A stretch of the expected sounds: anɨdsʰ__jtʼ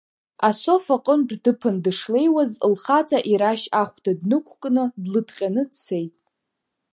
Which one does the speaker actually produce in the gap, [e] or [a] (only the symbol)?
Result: e